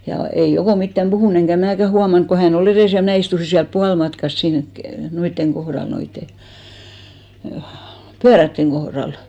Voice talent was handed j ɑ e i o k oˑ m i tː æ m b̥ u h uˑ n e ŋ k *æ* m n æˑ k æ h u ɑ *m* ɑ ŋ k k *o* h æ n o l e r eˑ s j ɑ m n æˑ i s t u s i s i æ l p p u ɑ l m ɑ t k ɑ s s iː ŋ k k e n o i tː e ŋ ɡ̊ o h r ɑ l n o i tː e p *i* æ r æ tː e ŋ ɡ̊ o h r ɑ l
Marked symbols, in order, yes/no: yes, yes, yes, no

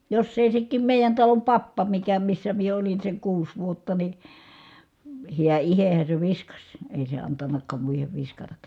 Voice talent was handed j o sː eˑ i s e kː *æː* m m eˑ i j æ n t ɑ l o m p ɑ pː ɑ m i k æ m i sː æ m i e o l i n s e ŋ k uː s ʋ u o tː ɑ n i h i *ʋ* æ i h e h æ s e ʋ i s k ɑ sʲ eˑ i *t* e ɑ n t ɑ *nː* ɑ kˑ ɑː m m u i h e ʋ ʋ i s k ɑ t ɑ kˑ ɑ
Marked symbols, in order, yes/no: no, no, no, yes

